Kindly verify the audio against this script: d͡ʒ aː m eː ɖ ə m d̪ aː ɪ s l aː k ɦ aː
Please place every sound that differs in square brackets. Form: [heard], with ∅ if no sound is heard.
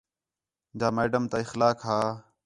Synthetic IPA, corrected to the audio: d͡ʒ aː m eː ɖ ə m [t̪] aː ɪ [x] l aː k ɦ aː